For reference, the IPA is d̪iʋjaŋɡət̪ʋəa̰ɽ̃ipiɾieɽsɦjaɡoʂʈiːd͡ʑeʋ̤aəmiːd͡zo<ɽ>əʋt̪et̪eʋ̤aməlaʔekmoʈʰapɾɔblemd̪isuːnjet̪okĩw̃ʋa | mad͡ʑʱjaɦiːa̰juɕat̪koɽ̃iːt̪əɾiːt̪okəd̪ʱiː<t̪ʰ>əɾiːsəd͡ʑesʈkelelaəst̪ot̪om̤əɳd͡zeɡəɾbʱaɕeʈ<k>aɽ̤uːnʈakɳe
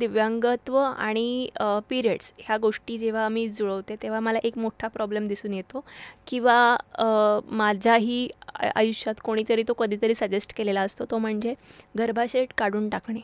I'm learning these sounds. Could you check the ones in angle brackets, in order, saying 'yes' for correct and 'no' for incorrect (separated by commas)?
no, no, yes